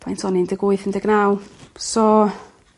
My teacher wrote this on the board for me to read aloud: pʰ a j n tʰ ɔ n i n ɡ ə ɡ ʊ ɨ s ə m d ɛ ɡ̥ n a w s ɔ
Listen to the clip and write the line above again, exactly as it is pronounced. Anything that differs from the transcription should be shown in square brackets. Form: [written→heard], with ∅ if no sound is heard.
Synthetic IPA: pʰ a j n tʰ ɔ n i n [ɡ→d] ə ɡ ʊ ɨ [s→θ] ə [m→n] d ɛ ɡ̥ n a w s ɔ